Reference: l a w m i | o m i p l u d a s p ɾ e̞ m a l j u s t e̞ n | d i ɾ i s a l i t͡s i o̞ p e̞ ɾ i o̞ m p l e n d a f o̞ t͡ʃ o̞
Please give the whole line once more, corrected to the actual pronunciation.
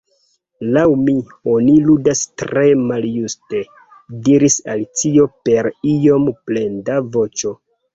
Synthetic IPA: l a w m i | o n i l u d a s t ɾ e̞ m a l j u s t e̞ | d i ɾ i s a l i t͡s i o̞ p e̞ ɾ i o̞ m p l e n d a v o̞ t͡ʃ o̞